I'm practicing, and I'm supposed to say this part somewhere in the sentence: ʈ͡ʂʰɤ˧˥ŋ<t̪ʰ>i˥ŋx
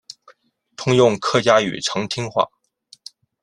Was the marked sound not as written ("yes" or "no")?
no